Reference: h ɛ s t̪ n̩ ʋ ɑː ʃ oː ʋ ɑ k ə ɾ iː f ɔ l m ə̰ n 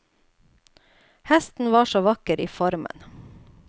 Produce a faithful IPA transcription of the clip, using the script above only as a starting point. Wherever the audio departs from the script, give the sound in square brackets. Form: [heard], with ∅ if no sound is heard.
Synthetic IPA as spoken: h ɛ s t̪ n̩ ʋ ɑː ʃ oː ʋ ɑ k ə ɾ iː f ɔ [ɾ] m ə̰ n